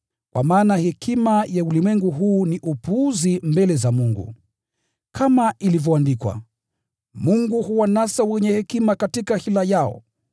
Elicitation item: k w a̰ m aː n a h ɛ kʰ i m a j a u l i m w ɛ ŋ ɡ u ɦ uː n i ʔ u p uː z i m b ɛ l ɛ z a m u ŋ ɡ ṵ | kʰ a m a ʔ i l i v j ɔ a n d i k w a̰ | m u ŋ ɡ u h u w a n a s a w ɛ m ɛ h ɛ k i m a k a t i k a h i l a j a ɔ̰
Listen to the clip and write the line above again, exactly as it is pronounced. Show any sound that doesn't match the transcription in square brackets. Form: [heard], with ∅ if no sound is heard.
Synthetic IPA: k w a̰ m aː n a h ɛ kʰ i m a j a u l i m w ɛ ŋ ɡ u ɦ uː n i ʔ u p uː z i m b ɛ l ɛ z a m u ŋ ɡ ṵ | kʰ a m a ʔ i l i v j ɔ a n d i k w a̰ | m u ŋ ɡ u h u w a n a s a w ɛ [ɲ] ɛ h ɛ k i m a k a t i k a h i l a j a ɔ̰